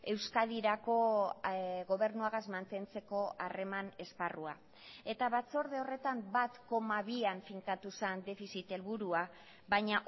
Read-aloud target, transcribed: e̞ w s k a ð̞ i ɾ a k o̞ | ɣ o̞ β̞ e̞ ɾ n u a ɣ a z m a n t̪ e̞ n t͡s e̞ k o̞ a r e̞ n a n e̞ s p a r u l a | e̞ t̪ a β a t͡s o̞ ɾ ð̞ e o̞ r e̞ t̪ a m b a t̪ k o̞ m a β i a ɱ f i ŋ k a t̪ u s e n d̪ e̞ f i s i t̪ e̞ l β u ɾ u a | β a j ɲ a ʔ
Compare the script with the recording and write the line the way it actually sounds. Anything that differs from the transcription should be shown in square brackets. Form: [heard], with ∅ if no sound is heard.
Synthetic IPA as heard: e̞ w s k a ð̞ i ɾ a k o̞ | ɣ o̞ β̞ e̞ ɾ n u a ɣ a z m a n t̪ e̞ n t͡s e̞ k o̞ a r e̞ [m] a n e̞ s p a r u [∅] a | e̞ t̪ a β a t͡s o̞ ɾ ð̞ e o̞ r e̞ t̪ a m b a t̪ k o̞ m a β i a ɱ f i ŋ k a t̪ u s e n d̪ e̞ f i s i t̪ e̞ l β u ɾ u a | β a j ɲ a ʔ